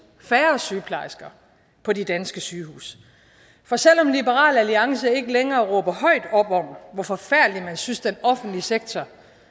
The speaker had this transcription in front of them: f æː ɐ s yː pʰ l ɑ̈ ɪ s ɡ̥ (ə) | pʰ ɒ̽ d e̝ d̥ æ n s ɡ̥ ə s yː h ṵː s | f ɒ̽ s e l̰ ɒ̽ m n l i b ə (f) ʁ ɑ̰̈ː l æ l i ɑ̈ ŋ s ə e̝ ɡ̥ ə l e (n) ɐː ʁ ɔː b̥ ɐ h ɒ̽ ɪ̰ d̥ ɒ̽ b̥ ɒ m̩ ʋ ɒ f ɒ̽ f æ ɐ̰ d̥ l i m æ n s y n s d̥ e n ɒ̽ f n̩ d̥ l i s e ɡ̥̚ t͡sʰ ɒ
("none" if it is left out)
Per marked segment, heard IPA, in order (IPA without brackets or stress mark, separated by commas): ɐ, none, ŋ